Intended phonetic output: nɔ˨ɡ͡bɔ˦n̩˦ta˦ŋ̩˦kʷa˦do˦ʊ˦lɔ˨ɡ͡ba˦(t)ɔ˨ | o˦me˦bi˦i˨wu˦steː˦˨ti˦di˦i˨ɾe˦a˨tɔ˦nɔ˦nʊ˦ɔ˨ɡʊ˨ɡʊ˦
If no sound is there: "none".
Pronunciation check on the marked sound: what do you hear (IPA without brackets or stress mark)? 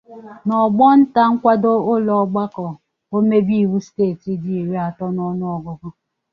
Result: k